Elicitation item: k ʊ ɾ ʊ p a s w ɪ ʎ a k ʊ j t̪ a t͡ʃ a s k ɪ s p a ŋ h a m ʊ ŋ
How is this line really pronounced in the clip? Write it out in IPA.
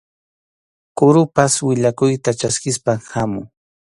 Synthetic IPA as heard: k ʊ ɾ ʊ p a s w ɪ ʎ a k ʊ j t̪ a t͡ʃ a s k ɪ s p a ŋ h a m ʊ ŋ

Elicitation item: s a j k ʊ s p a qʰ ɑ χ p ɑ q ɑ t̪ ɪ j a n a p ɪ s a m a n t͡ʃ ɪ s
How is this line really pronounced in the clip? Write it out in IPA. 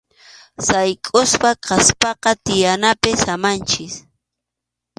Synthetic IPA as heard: s a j kʼ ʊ s p a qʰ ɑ s p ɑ q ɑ t̪ ɪ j a n a p ɪ s a m a n t͡ʃ ɪ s

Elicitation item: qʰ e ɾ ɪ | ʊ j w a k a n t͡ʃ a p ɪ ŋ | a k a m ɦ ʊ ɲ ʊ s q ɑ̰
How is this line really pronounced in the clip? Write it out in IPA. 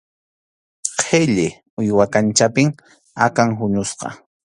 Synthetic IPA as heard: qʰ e ʎ ɪ | ʊ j w a k a n t͡ʃ a p ɪ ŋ | a k a ŋ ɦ ʊ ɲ ʊ s q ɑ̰

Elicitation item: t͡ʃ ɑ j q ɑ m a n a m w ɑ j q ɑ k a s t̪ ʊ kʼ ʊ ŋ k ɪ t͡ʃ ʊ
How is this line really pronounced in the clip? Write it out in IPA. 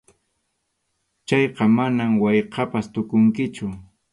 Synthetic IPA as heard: t͡ʃ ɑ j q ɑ m a n a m w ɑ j q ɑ p a s t̪ ʊ k ʊ ŋ k ɪ t͡ʃ ʊ

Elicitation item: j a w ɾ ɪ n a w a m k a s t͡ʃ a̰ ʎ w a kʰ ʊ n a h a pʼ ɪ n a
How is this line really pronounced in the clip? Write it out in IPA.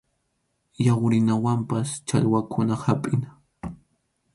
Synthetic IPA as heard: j a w ɾ ɪ n a w a m p a s t͡ʃ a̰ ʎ w a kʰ ʊ n a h a pʼ ɪ n a

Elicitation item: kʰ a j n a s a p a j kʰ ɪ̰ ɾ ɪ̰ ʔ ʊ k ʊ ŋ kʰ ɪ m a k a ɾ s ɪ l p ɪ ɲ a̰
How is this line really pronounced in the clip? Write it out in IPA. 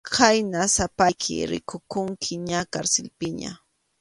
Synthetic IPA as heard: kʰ a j n a s a p a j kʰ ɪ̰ ɾ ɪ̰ k ʊ k ʊ ŋ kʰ ɪ ɲ a k a ɾ s ɪ l p ɪ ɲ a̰

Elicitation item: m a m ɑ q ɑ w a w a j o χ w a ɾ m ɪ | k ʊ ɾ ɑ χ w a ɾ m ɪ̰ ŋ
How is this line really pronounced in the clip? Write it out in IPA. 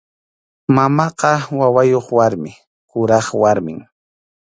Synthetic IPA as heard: m a m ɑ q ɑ w a w a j o χ w a ɾ m ɪ | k ʊ ɾ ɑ χ w a ɾ m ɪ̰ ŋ

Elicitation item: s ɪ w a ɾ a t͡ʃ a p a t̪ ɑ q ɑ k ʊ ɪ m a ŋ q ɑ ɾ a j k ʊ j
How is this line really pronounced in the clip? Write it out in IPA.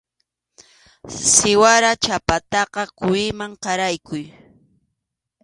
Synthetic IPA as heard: s ɪ w a ɾ a t͡ʃ a p a t̪ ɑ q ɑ k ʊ ɪ m a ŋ q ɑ ɾ a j k ʊ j

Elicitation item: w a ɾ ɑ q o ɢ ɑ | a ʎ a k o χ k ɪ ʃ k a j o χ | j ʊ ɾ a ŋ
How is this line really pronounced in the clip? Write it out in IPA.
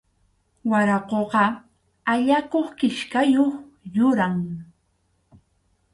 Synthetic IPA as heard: w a ɾ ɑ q o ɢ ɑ | a ʎ a k o χ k ɪ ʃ k a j o χ | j ʊ ɾ a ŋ

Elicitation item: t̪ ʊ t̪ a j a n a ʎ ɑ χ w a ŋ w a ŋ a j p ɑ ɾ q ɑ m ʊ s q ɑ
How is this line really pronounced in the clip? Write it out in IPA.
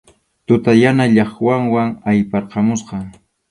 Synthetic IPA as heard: t̪ ʊ t̪ a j a n a ʎ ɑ χ w a ŋ w a ŋ a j p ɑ ɾ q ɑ m ʊ s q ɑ

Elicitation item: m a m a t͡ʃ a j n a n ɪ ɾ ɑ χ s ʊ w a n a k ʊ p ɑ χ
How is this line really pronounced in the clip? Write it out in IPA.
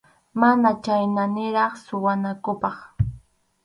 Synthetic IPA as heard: m a n a t͡ʃ a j n a n ɪ ɾ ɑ χ s ʊ w a n a k ʊ p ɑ χ

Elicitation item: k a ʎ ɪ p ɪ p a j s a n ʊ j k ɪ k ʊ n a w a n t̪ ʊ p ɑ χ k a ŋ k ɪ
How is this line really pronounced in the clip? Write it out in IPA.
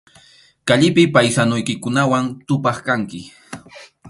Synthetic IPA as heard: k a ʎ ɪ p ɪ p a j s a n ʊ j k ɪ k ʊ n a w a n t̪ ʊ p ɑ χ k a ŋ k ɪ

